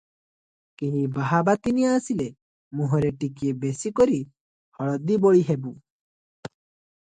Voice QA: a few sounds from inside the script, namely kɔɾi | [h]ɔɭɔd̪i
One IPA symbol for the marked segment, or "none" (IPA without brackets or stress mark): h